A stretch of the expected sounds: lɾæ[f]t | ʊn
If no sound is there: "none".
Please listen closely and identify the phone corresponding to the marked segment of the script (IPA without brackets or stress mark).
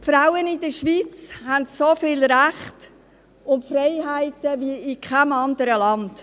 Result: χ